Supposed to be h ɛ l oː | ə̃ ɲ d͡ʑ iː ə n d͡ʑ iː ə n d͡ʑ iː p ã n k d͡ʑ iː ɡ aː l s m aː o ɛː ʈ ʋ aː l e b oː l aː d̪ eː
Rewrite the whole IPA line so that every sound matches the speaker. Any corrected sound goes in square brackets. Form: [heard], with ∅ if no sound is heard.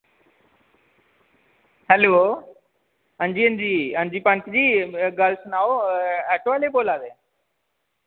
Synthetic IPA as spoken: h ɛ l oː | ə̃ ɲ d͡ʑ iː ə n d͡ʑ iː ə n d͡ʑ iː p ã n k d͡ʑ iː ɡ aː l s [n] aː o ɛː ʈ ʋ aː l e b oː l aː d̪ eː

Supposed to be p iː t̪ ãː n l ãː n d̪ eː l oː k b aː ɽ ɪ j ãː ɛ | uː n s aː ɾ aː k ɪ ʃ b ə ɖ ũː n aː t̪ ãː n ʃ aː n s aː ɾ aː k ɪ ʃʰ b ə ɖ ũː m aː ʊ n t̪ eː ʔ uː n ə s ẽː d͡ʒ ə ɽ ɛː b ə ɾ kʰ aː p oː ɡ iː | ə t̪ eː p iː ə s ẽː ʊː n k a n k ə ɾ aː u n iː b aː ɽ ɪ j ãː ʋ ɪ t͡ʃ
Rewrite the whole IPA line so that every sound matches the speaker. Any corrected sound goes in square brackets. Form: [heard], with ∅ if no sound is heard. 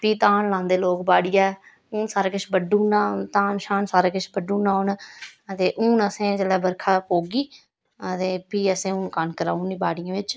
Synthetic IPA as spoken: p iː t̪ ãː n l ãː n d̪ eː l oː k b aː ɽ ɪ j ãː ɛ | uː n s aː ɾ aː k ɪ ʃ b ə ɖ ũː n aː t̪ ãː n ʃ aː n s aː ɾ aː k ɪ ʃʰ b ə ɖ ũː [n] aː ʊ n t̪ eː ʔ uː n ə s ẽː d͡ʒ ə [l] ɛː b ə ɾ kʰ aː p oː ɡ iː | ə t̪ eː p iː ə s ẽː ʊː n k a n k ə ɾ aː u n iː b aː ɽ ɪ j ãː ʋ ɪ t͡ʃ

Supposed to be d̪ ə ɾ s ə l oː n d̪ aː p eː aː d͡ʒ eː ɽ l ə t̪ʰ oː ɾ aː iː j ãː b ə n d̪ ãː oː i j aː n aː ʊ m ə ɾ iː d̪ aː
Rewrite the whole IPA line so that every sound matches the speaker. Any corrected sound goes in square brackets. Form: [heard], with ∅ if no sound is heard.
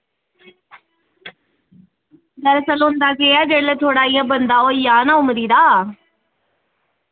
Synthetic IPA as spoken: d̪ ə ɾ s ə l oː n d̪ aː [k] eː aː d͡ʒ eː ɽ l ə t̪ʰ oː [ɽ] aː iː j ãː b ə n d̪ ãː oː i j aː n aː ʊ m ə ɾ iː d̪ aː

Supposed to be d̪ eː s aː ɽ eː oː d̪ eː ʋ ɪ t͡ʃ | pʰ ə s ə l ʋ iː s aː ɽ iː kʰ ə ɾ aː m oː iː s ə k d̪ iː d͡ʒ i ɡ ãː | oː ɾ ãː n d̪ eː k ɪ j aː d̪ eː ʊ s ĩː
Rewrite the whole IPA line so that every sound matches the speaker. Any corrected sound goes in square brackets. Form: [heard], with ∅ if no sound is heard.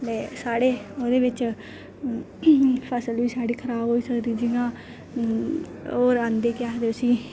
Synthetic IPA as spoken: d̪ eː s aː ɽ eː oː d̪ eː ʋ ɪ t͡ʃ | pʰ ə s ə l ʋ iː s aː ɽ iː kʰ ə ɾ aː [b] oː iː s ə k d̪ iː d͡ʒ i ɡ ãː | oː ɾ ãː n d̪ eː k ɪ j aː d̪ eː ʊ s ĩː

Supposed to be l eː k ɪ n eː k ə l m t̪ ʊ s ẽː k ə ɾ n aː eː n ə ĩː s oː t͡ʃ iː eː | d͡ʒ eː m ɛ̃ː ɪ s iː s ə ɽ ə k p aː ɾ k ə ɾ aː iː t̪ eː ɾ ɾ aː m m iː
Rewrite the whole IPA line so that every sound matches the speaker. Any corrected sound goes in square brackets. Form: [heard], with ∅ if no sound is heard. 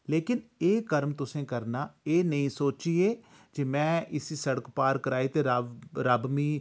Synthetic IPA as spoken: l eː k ɪ n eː k ə [ɾ] m t̪ ʊ s ẽː k ə ɾ n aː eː n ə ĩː s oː t͡ʃ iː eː | d͡ʒ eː m ɛ̃ː ɪ s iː s ə ɽ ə k p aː ɾ k ə ɾ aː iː t̪ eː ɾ ɾ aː [b] m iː

